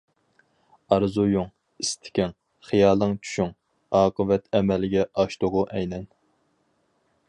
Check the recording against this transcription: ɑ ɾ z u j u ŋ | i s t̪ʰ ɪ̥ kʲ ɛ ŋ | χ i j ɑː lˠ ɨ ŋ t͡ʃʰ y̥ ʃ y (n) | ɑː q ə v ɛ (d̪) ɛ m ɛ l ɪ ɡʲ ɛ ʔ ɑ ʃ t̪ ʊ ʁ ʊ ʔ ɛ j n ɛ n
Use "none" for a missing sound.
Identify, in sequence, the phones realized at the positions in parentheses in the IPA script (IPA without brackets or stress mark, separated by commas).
ŋ, t̪